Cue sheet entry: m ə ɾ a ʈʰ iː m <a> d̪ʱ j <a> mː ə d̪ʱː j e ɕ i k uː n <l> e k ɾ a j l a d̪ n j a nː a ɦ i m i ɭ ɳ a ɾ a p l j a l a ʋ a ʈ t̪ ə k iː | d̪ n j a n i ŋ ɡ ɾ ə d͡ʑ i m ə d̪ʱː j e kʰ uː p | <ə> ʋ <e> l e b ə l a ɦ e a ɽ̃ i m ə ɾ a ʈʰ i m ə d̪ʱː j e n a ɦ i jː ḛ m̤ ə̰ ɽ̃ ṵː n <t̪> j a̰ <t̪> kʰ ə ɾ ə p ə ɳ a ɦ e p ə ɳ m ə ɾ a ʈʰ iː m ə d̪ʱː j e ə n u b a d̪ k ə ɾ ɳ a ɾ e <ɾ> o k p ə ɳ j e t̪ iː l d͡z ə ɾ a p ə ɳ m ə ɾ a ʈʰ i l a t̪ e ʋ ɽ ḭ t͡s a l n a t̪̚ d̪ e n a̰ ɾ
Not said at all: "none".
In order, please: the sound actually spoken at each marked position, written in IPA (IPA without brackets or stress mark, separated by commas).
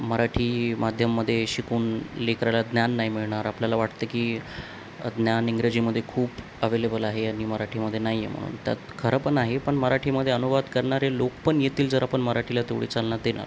a, ə, l, ə, e, t̪, t̪, l